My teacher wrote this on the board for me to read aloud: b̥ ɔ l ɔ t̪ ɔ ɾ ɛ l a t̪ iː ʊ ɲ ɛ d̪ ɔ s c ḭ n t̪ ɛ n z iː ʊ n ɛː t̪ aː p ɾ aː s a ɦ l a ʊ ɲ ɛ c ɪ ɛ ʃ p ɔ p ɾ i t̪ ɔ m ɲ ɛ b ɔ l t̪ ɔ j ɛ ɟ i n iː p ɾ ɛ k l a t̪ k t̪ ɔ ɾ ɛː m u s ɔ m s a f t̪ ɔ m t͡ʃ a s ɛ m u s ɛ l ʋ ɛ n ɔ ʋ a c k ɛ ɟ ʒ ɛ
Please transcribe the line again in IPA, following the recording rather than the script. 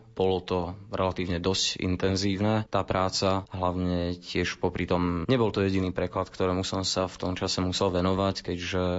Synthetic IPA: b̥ ɔ l ɔ t̪ ɔ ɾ ɛ l a t̪ iː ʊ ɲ ɛ d̪ ɔ s c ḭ n t̪ ɛ n z iː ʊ n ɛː t̪ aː p ɾ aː t͡s a ɦ l a ʊ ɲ ɛ c ɪ ɛ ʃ p ɔ p ɾ i t̪ ɔ m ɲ ɛ b ɔ l t̪ ɔ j ɛ ɟ i n iː p ɾ ɛ k l a t̪ k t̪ ɔ ɾ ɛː m u s ɔ m s a f t̪ ɔ m t͡ʃ a s ɛ m u s ɛ l ʋ ɛ n ɔ ʋ a c k ɛ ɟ ʒ ɛ